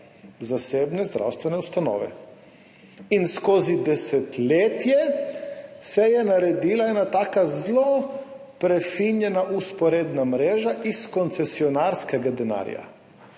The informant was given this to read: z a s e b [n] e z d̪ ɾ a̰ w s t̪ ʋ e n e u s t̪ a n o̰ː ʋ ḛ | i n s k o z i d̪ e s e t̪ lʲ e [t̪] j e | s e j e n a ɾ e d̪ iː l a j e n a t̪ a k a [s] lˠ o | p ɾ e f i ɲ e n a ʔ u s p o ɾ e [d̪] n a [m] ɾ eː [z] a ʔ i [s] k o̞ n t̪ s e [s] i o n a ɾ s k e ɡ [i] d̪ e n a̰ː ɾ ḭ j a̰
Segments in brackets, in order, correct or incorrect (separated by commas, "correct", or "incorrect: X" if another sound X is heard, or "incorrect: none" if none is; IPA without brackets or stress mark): correct, correct, incorrect: z, correct, correct, incorrect: ʒ, correct, correct, incorrect: a